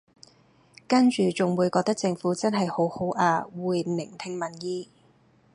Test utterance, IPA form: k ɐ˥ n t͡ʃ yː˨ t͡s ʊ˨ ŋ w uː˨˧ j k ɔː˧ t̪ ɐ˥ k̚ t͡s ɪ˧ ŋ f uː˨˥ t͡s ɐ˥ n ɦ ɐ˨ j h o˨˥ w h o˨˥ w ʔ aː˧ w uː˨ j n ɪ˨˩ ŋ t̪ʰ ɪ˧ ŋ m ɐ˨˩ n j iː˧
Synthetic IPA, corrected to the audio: k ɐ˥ n t͡ʃ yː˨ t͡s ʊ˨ ŋ w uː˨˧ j k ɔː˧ t̪ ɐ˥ k̚ t͡s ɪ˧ ŋ f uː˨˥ t͡s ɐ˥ n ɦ ɐ˨ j h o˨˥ w h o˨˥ w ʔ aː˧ w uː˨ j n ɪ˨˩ ŋ t̪ʰ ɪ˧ ŋ m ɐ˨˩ n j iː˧